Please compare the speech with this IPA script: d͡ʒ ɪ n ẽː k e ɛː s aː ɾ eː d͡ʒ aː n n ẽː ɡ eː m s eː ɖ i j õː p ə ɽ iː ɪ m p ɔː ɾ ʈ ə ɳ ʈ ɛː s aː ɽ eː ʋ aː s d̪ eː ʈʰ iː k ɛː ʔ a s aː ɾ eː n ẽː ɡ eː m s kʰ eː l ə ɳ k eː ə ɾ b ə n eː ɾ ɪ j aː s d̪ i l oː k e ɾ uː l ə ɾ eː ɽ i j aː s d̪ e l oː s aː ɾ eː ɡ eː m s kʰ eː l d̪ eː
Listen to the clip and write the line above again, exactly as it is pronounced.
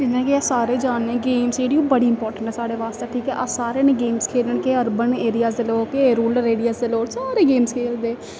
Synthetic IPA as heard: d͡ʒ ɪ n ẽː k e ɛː s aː ɾ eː d͡ʒ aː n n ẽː ɡ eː m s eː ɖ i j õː b ə ɽ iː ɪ m p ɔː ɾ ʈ ə ɳ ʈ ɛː s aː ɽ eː ʋ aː s t̪ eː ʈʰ iː k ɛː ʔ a s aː ɾ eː n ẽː ɡ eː m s kʰ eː l ə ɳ k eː ə ɾ b ə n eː ɾ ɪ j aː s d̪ e l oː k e ɾ uː l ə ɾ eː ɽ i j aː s d̪ e l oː s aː ɾ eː ɡ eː m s kʰ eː l d̪ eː

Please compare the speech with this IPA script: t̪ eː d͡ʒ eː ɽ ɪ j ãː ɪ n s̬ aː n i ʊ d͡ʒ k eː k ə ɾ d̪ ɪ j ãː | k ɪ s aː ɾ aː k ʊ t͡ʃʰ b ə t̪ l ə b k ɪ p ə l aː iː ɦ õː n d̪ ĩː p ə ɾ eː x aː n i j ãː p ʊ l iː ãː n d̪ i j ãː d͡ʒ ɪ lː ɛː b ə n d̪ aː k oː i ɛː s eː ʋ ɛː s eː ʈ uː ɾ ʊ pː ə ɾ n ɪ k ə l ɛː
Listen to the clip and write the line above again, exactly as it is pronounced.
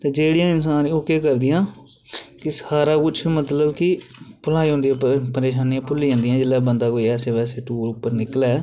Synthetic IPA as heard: t̪ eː d͡ʒ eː ɽ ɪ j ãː ɪ n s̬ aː n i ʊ k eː k ə ɾ d̪ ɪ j ãː | k ɪ s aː ɾ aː k ʊ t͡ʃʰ m ə t̪ l ə b k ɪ p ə l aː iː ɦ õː n d̪ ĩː p ə ɾ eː ʃ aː n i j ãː p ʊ l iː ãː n d̪ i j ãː d͡ʒ ɪ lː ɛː b ə n d̪ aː k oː i ɛː s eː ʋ ɛː s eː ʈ uː ɾ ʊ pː ə ɾ n ɪ k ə l ɛː

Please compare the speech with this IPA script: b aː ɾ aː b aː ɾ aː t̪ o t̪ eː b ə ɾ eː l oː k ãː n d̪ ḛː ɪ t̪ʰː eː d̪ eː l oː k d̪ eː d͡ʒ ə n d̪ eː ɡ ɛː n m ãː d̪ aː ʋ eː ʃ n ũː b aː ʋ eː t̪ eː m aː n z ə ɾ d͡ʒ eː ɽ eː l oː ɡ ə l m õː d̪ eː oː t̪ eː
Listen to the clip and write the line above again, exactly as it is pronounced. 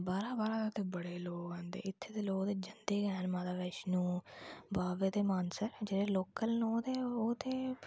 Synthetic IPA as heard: b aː ɾ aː b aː ɾ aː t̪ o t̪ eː b ə ɽ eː l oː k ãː n d̪ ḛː ɪ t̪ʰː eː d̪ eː l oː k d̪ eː d͡ʒ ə n d̪ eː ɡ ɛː n m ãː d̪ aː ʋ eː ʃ n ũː b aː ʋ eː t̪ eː m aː n s ə ɾ d͡ʒ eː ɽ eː l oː k ə l n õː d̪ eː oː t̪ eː

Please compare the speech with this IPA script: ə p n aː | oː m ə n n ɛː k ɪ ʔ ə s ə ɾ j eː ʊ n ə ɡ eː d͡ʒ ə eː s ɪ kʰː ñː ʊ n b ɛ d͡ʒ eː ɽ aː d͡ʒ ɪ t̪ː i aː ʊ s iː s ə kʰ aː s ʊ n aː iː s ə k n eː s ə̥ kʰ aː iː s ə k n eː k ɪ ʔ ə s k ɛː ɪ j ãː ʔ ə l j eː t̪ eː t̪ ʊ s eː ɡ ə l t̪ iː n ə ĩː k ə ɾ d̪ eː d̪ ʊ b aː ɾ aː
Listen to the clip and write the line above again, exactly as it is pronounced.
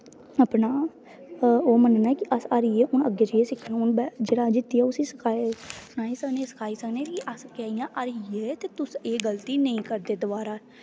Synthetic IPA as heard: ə p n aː | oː m ə n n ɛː k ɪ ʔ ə s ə ɾ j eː ʊ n ə ɡ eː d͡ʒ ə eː s ɪ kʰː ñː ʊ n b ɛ d͡ʒ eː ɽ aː d͡ʒ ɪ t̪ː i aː ʊ s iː s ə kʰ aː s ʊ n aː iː s ə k n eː s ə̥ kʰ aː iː s ə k n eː k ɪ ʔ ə s k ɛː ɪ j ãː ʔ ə ɾ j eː t̪ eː t̪ ʊ s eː ɡ ə l t̪ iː n ə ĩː k ə ɾ d̪ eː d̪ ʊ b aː ɾ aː

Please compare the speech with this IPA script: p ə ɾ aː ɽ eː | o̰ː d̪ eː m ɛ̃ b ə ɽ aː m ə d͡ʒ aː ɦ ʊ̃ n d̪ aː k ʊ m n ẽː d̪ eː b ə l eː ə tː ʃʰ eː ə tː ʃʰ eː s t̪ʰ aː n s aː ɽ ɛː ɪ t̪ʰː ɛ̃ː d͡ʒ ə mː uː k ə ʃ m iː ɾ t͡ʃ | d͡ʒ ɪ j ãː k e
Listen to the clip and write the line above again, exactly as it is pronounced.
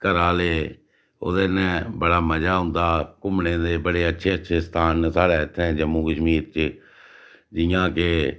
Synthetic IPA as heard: k ə ɾ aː l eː | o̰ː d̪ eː n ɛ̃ b ə ɽ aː m ə d͡ʒ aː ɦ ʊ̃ n d̪ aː k ʊ m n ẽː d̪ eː b ə ɽ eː ə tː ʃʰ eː ə tː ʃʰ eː s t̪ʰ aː n s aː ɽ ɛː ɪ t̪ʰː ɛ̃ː d͡ʒ ə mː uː k ə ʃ m iː ɾ t͡ʃ | d͡ʒ ɪ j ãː k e

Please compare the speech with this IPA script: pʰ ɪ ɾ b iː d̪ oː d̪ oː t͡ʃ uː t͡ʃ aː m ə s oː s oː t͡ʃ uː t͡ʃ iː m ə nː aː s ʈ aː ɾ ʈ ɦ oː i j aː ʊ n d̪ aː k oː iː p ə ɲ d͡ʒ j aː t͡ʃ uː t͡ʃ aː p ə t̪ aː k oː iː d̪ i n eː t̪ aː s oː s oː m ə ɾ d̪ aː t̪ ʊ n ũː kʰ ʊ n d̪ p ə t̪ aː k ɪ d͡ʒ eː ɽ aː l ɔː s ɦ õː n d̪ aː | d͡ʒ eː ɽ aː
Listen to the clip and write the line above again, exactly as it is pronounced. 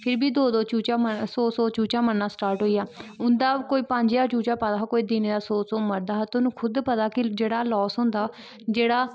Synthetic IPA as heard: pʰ ɪ ɾ b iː d̪ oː d̪ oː t͡ʃ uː t͡ʃ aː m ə s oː s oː t͡ʃ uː t͡ʃ aː m ə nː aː s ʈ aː ɾ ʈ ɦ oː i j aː ʊ n d̪ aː k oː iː p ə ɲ d͡ʒ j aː t͡ʃ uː t͡ʃ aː p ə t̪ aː k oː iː d̪ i n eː d̪ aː s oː s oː m ə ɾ d̪ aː t̪ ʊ n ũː kʰ ʊ d̪ p ə t̪ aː k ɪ d͡ʒ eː ɽ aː l ɔː s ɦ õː n d̪ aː | d͡ʒ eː ɽ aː

